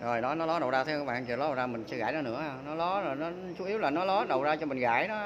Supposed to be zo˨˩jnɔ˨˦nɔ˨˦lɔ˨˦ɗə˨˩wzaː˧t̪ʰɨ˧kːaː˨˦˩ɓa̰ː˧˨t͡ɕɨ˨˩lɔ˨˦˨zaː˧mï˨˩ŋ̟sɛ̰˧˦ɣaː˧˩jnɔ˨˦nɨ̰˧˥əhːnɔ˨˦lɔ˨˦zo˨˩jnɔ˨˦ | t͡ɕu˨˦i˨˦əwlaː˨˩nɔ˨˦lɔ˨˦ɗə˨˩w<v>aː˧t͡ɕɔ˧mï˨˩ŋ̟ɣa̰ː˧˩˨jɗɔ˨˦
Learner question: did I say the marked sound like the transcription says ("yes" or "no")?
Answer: no